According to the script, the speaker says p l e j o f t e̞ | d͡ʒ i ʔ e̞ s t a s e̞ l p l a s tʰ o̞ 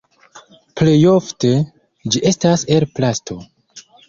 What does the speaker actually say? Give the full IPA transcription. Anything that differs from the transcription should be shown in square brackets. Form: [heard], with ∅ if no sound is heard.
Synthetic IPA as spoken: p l e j o f t e̞ | d͡ʒ i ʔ e̞ s t a s e̞ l p l a s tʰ o̞